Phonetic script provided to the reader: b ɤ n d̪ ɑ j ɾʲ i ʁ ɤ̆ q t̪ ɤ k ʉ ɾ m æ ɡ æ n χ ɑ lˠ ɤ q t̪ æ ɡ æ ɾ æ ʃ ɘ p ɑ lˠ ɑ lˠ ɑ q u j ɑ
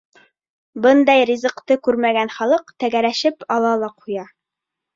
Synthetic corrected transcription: b ɤ n d̪ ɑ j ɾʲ i z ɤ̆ q t̪ ɤ k ʉ ɾ m æ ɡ æ n χ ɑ lˠ ɤ q t̪ æ ɡ æ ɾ æ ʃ ɘ p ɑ lˠ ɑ lˠ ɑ q u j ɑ